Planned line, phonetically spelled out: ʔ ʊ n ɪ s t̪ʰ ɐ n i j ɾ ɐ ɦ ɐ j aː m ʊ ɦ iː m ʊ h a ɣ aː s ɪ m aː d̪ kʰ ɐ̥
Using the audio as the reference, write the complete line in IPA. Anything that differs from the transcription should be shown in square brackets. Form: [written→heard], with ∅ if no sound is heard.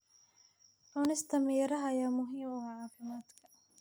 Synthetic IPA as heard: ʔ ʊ n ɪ s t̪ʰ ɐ [n→m] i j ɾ ɐ ɦ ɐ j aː m ʊ ɦ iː m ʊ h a [ɣ→ʕ] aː [s→f] ɪ m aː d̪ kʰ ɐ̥